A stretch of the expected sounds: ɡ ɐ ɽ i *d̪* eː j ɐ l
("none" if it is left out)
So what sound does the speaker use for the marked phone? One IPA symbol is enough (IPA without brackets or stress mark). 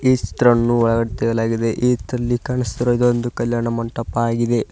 t̪